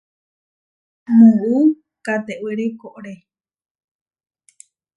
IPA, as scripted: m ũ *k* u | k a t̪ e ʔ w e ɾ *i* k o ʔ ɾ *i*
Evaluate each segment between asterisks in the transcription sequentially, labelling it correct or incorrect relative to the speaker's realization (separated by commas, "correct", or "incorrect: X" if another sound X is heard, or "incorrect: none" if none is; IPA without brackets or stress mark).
incorrect: none, incorrect: e, incorrect: e